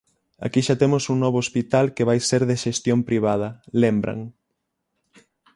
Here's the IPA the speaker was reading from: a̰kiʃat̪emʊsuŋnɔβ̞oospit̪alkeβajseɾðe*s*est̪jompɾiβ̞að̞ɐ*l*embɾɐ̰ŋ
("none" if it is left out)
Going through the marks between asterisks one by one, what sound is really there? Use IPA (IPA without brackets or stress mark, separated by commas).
ʃ, l